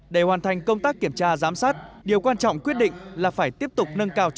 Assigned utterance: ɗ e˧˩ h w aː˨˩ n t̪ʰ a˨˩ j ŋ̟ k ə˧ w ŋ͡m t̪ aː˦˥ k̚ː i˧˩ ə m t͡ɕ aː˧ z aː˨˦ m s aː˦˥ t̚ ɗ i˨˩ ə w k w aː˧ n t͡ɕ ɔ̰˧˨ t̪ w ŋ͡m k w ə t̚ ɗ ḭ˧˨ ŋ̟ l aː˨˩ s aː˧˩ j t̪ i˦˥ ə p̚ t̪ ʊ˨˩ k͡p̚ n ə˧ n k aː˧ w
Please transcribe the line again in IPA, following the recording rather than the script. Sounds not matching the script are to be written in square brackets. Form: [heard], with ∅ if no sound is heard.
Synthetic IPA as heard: ɗ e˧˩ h w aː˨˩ n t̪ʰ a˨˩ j ŋ̟ k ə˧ w ŋ͡m t̪ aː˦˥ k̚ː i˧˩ ə m t͡ɕ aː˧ z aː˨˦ m s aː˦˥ t̚ ɗ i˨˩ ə w k w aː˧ n t͡ɕ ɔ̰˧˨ [∅] w ŋ͡m k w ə t̚ ɗ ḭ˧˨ ŋ̟ l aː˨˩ [f] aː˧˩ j t̪ i˦˥ ə p̚ t̪ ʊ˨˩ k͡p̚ n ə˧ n k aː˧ w